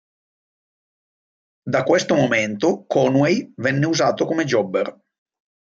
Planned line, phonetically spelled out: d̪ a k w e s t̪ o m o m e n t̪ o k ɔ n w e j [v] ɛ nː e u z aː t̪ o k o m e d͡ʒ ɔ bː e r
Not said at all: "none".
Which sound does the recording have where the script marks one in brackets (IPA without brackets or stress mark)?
v